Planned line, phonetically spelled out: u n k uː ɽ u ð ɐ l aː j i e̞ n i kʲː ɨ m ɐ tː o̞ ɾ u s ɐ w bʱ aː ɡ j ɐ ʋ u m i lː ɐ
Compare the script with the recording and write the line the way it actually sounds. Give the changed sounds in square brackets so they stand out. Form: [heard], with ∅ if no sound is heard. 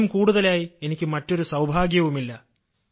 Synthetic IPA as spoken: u [m] k uː ɽ u ð ɐ l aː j i e̞ n i kʲː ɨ m ɐ tː o̞ ɾ u s ɐ w bʱ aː ɡ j ɐ ʋ u m i lː ɐ